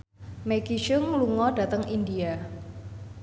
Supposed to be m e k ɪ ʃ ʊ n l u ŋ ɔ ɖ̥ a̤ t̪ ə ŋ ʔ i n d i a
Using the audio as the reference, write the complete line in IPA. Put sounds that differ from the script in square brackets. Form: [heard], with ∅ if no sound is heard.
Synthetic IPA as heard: m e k [i] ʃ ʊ [ŋ] l u ŋ ɔ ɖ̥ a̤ t̪ ə ŋ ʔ i n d i a